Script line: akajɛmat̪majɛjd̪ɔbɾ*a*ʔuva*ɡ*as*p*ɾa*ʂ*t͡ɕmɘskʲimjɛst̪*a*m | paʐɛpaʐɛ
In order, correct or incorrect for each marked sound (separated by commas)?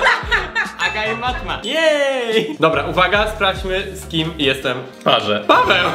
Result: correct, correct, correct, incorrect, incorrect